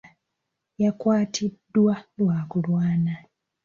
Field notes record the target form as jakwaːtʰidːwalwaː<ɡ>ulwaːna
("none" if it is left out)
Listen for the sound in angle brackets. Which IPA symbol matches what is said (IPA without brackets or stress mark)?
k